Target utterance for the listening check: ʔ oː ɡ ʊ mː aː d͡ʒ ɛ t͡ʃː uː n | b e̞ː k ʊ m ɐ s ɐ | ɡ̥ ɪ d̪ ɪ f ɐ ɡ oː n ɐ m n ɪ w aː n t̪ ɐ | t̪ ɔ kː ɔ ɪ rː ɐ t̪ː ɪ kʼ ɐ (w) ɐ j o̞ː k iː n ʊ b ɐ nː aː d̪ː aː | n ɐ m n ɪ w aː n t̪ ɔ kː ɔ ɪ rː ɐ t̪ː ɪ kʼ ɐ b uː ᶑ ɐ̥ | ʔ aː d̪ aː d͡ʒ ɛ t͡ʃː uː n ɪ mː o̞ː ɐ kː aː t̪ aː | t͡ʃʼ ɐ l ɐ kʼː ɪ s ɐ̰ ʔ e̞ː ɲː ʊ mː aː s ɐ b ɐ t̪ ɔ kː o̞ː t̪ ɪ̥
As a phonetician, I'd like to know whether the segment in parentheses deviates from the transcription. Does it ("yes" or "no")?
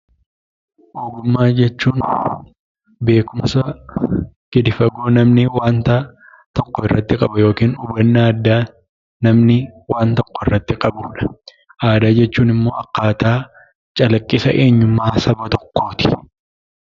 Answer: yes